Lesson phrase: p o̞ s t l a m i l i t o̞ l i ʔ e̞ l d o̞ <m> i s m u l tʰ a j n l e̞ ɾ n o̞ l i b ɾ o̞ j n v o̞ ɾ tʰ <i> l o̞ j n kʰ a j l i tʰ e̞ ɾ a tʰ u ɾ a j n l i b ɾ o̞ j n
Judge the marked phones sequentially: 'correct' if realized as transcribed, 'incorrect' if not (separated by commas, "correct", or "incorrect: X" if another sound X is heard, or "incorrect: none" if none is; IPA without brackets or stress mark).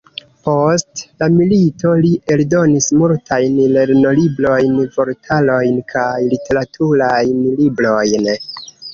incorrect: n, incorrect: a